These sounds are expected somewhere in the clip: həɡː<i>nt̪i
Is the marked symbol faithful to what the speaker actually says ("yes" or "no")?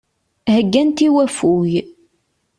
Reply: no